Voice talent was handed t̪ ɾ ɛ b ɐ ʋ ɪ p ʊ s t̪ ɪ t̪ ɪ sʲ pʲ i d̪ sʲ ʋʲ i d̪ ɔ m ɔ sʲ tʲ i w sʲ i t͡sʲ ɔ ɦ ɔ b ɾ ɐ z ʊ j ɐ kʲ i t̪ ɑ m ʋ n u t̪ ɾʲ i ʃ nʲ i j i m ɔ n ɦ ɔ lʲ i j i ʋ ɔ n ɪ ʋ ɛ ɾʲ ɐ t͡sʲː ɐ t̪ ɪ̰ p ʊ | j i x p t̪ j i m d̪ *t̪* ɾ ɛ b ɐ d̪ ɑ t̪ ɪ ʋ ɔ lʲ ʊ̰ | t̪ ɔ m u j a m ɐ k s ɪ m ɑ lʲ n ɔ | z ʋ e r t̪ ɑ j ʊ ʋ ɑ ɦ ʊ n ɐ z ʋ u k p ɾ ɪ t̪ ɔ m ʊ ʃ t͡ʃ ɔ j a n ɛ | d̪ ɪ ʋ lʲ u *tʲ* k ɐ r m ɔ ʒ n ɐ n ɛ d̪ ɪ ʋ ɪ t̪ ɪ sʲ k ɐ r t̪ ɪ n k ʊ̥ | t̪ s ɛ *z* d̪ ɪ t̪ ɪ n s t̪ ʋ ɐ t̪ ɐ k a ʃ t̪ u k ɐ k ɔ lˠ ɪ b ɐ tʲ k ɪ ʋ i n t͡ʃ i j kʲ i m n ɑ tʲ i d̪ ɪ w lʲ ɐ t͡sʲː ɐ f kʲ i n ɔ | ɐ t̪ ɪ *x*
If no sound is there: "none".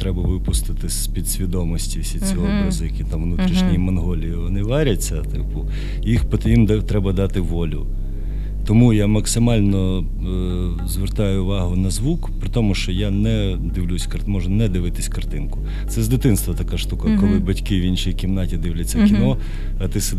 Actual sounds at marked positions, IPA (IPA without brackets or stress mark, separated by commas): t̪, sʲ, z, s